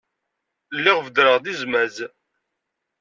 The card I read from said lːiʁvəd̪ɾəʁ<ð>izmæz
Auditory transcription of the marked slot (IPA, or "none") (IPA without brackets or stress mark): ð